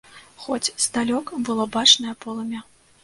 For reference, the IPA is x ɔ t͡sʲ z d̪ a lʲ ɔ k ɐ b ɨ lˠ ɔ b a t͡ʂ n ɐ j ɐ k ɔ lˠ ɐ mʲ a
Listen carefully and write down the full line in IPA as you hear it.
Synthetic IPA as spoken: x ɔ t͡sʲ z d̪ a lʲ ɔ k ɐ b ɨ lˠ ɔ b a t͡ʂ n ɐ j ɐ p ɔ lˠ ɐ mʲ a